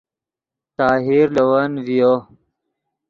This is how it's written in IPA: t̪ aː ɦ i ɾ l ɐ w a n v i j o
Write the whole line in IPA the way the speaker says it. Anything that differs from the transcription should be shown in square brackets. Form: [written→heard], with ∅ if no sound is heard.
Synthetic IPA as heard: t̪ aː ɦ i ɾ l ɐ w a n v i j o